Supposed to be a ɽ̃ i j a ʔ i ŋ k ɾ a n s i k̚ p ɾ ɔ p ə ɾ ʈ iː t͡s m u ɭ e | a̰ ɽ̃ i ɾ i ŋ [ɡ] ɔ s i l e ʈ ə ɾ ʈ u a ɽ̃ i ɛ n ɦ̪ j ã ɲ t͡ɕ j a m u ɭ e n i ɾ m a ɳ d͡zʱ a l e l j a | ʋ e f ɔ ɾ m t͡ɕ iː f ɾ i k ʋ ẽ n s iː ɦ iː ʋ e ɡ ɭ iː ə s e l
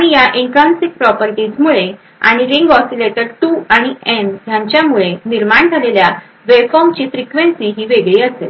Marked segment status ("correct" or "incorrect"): correct